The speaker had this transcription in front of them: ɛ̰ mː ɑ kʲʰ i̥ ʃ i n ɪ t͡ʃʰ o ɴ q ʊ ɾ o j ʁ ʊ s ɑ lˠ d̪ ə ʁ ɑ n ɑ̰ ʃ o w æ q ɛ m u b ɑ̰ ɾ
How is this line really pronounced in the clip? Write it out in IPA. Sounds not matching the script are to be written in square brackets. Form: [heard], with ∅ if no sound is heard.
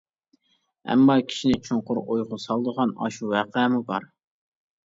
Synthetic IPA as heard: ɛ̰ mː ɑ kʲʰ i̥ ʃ i n ɪ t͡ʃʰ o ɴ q ʊ ɾ o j ʁ ʊ s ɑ lˠ d̪ ə ʁ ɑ n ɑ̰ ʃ [u] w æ q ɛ m u b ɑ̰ ɾ